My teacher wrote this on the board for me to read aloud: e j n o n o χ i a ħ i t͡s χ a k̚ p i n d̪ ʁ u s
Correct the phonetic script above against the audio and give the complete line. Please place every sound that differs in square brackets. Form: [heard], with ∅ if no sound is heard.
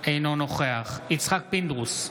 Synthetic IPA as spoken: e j n o n o χ [e] a [χ] i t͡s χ a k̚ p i n d̪ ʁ u s